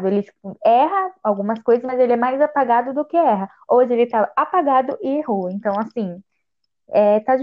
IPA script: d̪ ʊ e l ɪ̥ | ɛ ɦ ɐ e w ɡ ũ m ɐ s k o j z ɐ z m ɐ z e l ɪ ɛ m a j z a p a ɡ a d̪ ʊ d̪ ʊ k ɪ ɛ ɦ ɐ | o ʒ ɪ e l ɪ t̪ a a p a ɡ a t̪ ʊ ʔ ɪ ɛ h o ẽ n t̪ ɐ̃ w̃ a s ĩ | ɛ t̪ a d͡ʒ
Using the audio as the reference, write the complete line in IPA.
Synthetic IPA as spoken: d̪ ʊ e l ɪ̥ | ɛ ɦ ɐ a w ɡ ũ m ɐ s k o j z ɐ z m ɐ z e l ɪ ɛ m a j z a p a ɡ a d̪ ʊ d̪ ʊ k ɪ ɛ ɦ ɐ | o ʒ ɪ e l ɪ t̪ a a p a ɡ a d̪ ʊ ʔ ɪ e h o ẽ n t̪ ɐ̃ w̃ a s ĩ | ɛ t̪ a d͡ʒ